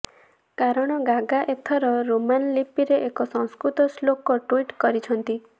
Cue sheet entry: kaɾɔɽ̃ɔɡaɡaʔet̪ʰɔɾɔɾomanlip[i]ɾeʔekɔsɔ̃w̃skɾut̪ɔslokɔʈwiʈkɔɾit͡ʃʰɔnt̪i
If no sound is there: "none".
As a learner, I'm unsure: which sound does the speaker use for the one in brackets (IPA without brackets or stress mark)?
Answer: i